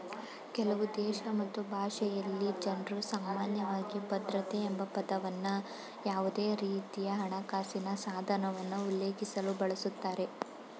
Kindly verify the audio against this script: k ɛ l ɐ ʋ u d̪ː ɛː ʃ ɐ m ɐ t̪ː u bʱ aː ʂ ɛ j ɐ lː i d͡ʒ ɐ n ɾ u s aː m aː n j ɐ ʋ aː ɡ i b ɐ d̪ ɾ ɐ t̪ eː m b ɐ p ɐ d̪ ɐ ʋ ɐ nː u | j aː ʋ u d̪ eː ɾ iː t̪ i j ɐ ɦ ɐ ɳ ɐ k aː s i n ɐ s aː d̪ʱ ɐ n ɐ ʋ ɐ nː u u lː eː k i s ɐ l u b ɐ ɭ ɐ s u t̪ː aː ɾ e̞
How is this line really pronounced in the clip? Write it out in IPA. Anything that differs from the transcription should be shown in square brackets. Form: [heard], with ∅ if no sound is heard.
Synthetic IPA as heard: k ɛ l ɐ ʋ u [d̪] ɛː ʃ ɐ m ɐ t̪ː u bʱ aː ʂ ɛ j ɐ lː i d͡ʒ ɐ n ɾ u s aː m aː n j ɐ ʋ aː ɡ i b ɐ d̪ ɾ ɐ t̪ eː m b ɐ p ɐ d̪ ɐ ʋ ɐ nː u | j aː ʋ u d̪ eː ɾ iː t̪ i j ɐ ɦ ɐ ɳ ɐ k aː s i n ɐ s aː d̪ʱ ɐ n ɐ ʋ ɐ nː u u lː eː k i s ɐ l u b ɐ ɭ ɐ s u t̪ː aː ɾ e̞